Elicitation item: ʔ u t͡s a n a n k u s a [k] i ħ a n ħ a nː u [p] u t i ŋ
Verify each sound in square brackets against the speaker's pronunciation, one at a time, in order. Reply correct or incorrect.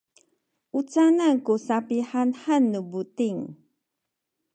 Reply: incorrect: p, incorrect: b

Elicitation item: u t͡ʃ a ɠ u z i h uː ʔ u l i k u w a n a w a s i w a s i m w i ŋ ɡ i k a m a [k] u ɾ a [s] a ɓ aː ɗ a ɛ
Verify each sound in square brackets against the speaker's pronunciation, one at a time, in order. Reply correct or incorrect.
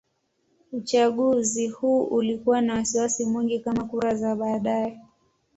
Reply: correct, incorrect: z

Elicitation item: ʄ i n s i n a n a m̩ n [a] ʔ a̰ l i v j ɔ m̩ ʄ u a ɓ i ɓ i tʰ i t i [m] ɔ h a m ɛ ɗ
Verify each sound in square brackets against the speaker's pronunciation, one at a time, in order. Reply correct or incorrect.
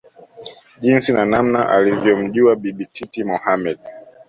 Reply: correct, correct

